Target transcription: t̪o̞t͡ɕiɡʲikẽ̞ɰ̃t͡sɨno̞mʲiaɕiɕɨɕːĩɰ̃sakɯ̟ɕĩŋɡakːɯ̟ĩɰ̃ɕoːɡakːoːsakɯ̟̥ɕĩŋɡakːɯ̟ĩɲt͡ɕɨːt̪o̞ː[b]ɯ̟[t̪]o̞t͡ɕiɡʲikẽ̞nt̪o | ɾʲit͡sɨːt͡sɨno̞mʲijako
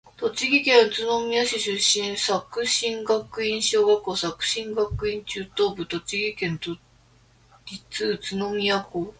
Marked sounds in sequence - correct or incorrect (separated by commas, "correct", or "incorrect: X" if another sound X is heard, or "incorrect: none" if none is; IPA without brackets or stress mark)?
correct, correct